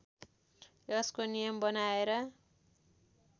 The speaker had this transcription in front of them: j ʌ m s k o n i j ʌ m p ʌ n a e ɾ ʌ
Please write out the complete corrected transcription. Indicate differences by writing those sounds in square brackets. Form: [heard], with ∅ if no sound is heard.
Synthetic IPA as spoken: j ʌ [∅] s k o n i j ʌ m [b] ʌ n a e ɾ ʌ